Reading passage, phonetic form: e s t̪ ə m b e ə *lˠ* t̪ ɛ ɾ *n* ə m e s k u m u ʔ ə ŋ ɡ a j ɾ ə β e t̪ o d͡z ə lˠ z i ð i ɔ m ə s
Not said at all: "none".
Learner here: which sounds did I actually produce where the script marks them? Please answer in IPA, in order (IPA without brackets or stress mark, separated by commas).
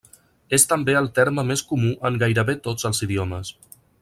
lˠ, m